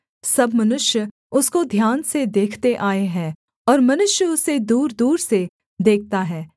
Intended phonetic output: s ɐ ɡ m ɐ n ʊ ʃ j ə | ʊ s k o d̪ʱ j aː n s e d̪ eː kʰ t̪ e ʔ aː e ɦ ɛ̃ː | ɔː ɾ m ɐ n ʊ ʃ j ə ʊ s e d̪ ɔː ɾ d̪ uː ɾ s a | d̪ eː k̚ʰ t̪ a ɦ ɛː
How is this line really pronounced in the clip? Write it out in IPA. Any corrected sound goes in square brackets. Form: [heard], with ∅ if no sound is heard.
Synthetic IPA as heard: s ɐ [b] m ɐ n ʊ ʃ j ə | ʊ s k o d̪ʱ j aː n s e d̪ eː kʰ t̪ e ʔ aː e ɦ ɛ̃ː | ɔː ɾ m ɐ n ʊ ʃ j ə ʊ s e d̪ [uː] ɾ d̪ uː ɾ s [e] | d̪ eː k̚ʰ t̪ a ɦ ɛː

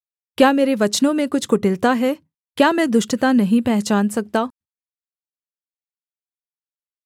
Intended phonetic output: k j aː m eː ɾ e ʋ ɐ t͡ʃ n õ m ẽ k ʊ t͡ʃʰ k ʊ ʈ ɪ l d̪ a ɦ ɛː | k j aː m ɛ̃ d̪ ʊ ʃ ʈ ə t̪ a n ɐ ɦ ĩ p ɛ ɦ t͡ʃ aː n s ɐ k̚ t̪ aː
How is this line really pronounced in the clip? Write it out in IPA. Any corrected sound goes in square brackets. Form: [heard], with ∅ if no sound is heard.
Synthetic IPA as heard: k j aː m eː ɾ e ʋ ɐ t͡ʃ n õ m ẽ k ʊ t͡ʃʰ k ʊ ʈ ɪ l [t̪] a ɦ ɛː | k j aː m ɛ̃ d̪ ʊ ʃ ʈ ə t̪ a n ɐ ɦ ĩ p ɛ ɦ t͡ʃ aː n s ɐ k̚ t̪ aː

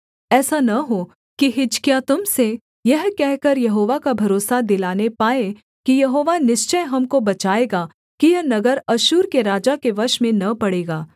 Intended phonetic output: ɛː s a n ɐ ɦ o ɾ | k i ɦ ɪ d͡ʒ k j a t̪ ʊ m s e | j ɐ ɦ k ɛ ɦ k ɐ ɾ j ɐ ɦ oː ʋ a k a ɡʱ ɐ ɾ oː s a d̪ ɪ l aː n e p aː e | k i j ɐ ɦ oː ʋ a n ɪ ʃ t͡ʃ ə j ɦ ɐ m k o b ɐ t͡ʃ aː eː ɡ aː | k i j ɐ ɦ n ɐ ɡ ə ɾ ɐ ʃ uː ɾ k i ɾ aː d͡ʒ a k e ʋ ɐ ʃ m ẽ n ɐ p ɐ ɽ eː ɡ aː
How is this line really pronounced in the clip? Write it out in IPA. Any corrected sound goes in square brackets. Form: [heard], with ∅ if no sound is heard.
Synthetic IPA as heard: ɛː s a n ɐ ɦ o [∅] | k i ɦ ɪ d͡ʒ k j a t̪ ʊ m s e | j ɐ ɦ k ɛ ɦ k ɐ ɾ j ɐ ɦ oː ʋ a k a [bʱ] ɐ ɾ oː s a d̪ ɪ l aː n e p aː e | k i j ɐ ɦ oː ʋ a n ɪ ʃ t͡ʃ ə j ɦ ɐ m k o b ɐ t͡ʃ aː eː ɡ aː | k i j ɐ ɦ n ɐ ɡ ə ɾ ɐ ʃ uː ɾ k [e] ɾ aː d͡ʒ a k e ʋ ɐ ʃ m ẽ n ɐ p ɐ ɽ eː ɡ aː

